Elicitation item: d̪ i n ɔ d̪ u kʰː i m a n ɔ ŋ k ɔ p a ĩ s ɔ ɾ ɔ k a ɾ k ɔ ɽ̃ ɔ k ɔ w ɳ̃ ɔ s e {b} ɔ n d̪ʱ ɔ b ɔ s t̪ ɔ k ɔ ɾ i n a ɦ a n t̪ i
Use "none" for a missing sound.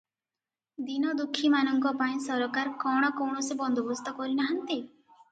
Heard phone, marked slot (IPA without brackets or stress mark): b